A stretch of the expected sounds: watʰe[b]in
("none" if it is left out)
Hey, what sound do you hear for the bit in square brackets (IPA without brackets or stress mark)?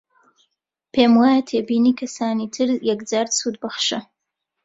b